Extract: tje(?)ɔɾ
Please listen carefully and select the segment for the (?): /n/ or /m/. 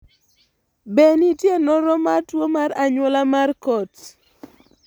n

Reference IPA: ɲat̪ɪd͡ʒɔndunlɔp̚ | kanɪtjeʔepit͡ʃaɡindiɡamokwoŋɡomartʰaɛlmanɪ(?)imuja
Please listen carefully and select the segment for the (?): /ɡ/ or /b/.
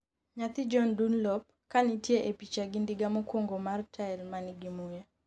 ɡ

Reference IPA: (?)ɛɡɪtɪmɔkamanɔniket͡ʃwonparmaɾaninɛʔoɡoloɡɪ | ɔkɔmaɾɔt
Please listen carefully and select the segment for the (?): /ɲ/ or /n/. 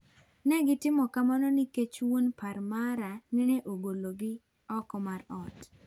n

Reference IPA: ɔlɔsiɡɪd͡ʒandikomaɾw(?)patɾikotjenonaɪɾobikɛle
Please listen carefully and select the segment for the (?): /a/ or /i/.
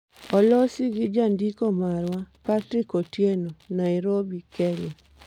a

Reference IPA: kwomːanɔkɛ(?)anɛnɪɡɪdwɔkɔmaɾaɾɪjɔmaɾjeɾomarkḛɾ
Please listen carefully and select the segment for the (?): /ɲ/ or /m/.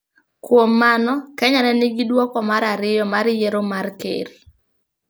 ɲ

